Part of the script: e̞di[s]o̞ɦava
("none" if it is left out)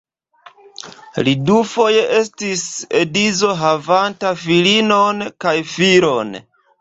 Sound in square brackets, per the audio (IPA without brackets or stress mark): z